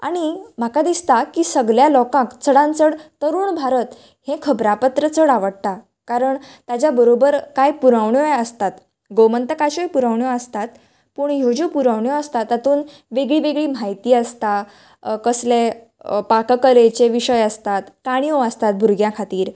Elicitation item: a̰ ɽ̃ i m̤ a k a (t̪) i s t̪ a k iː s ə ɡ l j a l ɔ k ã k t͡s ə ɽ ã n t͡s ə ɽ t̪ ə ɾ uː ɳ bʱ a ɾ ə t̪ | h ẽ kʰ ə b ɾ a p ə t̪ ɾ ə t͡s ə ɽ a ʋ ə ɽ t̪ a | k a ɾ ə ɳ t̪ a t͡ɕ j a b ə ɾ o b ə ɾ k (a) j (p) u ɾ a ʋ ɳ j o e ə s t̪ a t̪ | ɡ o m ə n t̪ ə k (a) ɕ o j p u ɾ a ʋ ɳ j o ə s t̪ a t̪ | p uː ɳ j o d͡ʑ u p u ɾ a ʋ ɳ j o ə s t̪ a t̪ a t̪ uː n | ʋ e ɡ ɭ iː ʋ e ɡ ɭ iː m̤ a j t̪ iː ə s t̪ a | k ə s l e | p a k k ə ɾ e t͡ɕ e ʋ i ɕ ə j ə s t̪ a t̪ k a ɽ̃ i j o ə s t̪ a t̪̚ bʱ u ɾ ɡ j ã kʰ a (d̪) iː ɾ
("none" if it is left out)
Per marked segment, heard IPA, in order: d̪, a, p, a, t̪

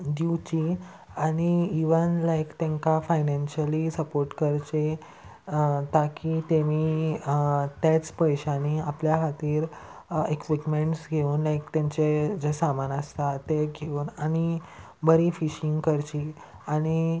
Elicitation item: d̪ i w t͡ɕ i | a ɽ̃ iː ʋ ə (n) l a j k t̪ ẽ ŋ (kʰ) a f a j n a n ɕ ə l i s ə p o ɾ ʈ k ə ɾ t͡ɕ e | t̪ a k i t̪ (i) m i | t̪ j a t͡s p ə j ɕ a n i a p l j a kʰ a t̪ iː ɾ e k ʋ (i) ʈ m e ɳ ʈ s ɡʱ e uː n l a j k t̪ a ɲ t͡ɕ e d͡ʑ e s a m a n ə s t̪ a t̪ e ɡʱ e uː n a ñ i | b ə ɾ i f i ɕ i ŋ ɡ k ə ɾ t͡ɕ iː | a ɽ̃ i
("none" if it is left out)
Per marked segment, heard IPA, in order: n, k, e, i

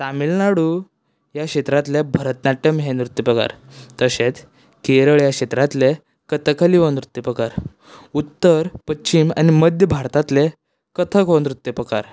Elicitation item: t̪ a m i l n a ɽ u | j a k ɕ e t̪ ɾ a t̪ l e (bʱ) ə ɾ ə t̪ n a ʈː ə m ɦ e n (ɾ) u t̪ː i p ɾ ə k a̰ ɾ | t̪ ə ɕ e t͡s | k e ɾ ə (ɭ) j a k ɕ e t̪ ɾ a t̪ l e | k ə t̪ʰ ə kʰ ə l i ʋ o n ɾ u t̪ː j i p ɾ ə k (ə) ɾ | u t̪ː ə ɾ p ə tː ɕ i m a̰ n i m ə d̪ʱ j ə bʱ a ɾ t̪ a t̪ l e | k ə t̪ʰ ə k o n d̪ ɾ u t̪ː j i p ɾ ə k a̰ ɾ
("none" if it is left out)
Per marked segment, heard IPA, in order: bʱ, ɾ, ɭ, a

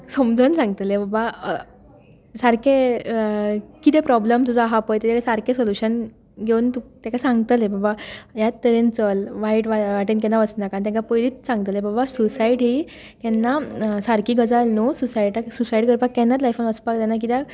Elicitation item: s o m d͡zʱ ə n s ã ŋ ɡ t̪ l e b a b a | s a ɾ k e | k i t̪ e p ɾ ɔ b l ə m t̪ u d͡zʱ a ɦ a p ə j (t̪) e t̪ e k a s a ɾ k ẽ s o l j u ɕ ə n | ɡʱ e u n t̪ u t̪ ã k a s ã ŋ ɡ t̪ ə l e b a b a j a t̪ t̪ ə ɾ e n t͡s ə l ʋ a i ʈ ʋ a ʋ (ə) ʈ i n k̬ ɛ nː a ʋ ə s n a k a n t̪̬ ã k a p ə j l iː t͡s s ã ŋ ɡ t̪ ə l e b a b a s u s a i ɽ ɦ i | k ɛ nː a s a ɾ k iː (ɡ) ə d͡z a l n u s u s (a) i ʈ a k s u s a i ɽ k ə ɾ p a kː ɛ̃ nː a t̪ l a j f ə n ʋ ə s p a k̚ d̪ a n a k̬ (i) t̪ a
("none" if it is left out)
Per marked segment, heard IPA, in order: t̪, a, ɡ, a, i

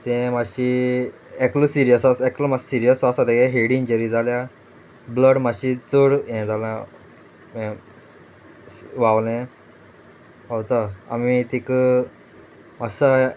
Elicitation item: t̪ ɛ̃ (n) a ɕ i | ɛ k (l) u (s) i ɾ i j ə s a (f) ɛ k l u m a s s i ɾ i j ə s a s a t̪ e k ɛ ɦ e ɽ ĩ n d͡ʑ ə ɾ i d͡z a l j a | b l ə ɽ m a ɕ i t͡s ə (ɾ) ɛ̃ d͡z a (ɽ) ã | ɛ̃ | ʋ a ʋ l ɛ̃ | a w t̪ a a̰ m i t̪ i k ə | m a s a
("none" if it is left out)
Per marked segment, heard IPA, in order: m, l, s, s, ɽ, l

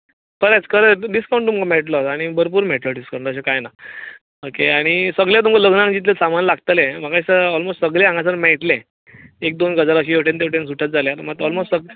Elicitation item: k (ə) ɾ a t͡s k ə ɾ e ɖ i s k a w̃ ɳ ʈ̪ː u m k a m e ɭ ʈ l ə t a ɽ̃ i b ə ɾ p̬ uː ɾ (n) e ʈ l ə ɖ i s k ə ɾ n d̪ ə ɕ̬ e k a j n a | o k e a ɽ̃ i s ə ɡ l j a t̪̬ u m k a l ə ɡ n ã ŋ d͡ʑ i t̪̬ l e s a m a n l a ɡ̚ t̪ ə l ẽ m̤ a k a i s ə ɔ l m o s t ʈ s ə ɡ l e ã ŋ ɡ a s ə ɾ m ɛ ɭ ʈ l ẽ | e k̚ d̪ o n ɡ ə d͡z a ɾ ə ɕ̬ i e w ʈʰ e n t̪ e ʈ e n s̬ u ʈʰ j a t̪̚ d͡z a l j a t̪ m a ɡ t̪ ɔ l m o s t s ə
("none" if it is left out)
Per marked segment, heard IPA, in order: ə, m

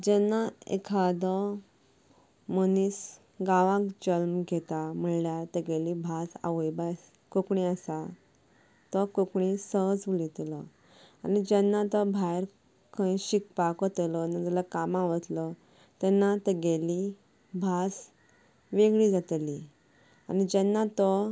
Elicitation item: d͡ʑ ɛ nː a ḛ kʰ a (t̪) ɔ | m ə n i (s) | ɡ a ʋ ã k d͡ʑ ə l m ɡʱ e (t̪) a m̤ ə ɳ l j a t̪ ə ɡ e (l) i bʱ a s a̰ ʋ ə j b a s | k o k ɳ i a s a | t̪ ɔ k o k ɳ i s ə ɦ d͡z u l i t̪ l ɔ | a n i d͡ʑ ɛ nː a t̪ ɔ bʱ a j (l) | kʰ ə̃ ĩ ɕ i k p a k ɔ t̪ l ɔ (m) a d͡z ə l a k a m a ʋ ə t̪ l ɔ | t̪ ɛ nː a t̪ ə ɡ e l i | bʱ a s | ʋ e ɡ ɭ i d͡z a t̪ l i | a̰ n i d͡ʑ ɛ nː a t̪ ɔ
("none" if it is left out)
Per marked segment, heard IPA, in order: d̪, s, t̪, l, ɾ, n

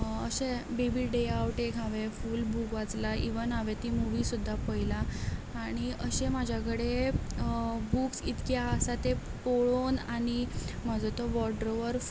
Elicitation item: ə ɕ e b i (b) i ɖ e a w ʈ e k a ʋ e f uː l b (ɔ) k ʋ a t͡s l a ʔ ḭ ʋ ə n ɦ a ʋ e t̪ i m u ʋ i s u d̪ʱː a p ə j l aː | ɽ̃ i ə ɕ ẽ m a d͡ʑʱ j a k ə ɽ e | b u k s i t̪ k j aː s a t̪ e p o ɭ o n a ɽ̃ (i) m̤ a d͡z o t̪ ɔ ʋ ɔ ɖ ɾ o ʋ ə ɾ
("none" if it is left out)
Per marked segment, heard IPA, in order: b, u, i

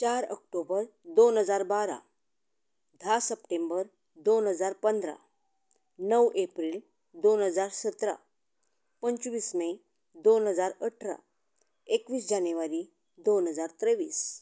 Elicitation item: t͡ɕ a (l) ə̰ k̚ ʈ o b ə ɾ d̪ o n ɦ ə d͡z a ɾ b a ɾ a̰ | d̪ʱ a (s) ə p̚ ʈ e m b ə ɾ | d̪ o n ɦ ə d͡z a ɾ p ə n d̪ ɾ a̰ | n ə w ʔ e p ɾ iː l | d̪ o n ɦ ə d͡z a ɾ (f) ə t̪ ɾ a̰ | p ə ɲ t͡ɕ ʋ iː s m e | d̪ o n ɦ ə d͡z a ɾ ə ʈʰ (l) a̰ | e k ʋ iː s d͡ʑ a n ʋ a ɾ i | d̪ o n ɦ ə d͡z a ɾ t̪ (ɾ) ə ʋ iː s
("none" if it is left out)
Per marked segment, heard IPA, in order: ɾ, s, s, ɾ, ɾ

